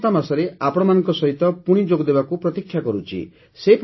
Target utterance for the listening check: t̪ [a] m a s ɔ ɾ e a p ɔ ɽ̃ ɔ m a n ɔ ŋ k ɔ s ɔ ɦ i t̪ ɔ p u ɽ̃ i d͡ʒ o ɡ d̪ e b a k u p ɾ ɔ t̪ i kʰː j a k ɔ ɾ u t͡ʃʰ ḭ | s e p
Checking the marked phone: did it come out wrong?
no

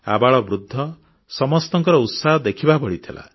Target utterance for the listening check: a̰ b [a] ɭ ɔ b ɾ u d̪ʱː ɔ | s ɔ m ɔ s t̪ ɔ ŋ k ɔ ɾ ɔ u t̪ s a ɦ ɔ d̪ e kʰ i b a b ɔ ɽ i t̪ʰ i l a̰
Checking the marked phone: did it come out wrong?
no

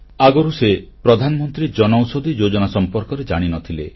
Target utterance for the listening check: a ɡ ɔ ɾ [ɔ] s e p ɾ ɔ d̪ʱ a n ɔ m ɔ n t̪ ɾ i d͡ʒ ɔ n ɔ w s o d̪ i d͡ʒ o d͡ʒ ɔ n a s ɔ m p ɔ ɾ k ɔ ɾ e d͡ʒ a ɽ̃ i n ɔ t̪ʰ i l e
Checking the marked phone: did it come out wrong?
yes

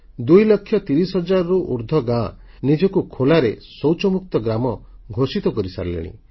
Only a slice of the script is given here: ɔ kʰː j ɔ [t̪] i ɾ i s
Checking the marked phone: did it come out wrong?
no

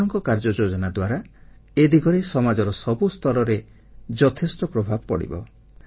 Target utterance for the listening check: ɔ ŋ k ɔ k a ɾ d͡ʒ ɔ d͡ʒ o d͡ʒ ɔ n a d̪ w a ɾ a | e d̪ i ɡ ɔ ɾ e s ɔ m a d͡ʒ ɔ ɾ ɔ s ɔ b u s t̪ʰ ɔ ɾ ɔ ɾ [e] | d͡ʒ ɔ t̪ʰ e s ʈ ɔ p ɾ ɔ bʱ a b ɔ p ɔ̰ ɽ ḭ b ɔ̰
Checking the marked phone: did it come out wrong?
no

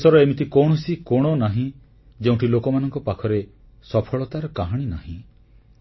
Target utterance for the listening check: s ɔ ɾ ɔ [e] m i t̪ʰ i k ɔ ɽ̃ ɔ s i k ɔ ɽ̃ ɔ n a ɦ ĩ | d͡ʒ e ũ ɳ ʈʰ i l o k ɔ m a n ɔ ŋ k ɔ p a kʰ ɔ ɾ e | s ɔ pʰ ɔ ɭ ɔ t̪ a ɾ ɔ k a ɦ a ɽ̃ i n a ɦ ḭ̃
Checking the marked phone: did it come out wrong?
no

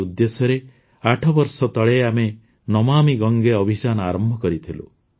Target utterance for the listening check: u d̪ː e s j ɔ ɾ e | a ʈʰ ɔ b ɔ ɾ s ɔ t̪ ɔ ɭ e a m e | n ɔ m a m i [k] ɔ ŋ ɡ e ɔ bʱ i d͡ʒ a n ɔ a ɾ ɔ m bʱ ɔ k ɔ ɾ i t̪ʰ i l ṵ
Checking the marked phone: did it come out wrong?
yes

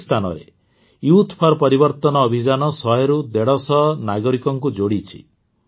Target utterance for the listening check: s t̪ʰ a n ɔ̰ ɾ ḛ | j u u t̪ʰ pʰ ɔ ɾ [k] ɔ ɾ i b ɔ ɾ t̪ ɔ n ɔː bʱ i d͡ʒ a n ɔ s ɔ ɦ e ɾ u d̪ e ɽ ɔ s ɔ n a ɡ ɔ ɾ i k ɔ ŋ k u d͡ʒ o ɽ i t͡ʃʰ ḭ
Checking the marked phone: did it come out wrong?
yes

